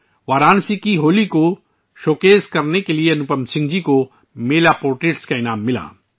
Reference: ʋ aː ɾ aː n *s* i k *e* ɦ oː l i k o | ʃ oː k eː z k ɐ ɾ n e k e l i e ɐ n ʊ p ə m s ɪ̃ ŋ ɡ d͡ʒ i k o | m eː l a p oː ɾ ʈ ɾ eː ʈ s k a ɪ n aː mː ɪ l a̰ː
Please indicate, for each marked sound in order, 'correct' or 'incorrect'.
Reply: correct, incorrect: i

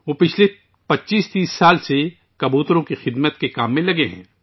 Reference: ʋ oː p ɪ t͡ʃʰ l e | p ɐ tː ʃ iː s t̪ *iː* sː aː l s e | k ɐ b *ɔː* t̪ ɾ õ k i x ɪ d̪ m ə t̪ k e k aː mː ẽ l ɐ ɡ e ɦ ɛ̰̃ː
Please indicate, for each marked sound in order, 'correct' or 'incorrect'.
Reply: correct, incorrect: uː

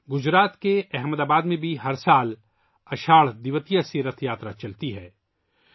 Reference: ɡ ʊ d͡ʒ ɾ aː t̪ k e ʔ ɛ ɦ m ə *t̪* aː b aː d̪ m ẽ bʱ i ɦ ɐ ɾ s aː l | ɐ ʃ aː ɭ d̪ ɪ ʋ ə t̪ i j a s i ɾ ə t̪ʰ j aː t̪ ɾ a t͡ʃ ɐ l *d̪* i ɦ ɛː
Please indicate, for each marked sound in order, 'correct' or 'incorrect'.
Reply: incorrect: d̪, incorrect: t̪

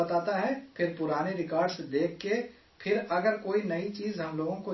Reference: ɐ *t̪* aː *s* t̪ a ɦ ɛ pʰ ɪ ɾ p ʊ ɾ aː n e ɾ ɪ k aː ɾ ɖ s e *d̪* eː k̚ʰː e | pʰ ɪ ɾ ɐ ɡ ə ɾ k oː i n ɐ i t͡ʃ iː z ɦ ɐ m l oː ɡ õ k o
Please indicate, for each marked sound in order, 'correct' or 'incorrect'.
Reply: correct, incorrect: none, correct

